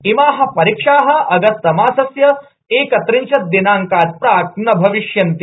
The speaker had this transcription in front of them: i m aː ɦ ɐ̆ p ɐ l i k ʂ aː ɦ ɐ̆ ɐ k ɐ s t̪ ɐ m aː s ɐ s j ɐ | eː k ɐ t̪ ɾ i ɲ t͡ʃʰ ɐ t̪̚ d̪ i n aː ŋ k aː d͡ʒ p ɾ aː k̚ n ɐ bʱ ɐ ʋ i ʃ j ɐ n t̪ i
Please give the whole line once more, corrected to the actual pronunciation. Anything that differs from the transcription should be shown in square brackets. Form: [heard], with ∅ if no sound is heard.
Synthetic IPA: i m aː ɦ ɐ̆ p ɐ [ɾ] i k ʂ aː ɦ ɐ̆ ɐ [ɡ] ɐ s t̪ ɐ m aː s ɐ s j ɐ | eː k ɐ t̪ ɾ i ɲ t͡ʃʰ ɐ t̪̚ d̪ i n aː ŋ k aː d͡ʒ p ɾ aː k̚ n ɐ bʱ ɐ ʋ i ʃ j ɐ n t̪ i

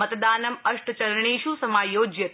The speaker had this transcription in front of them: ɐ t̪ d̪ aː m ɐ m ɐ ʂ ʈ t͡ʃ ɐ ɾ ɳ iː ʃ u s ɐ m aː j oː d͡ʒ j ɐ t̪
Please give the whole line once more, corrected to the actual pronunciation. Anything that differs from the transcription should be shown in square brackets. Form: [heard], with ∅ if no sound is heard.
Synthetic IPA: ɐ t̪ d̪ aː [n] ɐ m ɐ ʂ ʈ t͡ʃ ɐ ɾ ɳ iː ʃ u s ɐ m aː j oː d͡ʒ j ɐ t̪

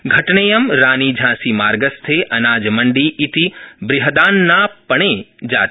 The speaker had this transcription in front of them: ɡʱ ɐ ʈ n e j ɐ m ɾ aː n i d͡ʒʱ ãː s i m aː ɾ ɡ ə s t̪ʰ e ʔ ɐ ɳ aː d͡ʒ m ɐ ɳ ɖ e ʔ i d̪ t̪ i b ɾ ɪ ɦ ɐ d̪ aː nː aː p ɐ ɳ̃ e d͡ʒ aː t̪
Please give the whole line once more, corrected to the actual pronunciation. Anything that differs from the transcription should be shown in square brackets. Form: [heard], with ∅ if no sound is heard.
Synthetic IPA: ɡʱ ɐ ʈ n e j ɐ m ɾ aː n i d͡ʒʱ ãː s i m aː ɾ ɡ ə s t̪ʰ e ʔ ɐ [n] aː d͡ʒ m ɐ ɳ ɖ [i] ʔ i [∅] t̪ i b ɾ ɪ ɦ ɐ d̪ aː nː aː p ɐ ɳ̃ e d͡ʒ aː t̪

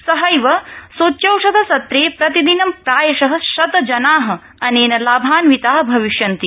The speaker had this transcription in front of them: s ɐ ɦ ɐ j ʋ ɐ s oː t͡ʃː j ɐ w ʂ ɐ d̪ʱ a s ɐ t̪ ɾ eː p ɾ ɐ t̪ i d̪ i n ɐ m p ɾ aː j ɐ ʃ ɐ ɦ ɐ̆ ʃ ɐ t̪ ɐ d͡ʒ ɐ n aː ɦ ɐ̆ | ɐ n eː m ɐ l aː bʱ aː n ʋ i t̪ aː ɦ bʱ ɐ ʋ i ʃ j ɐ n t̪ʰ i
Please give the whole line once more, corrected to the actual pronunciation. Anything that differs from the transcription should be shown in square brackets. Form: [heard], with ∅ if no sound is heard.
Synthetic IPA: s ɐ ɦ ɐ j ʋ ɐ s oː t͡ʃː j ɐ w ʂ ɐ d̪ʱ [ɐ] s ɐ t̪ ɾ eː p ɾ ɐ t̪ i d̪ i n ɐ m p ɾ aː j ɐ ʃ ɐ ɦ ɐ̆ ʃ ɐ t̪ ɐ d͡ʒ ɐ n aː ɦ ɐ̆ | ɐ n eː [n] ɐ l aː bʱ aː n ʋ i t̪ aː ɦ bʱ ɐ ʋ i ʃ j ɐ n [t̪] i

